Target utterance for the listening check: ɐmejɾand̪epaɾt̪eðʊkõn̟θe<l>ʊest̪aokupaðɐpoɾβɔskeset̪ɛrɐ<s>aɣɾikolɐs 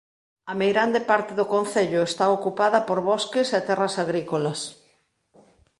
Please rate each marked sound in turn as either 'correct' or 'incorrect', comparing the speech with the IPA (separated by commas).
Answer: incorrect, correct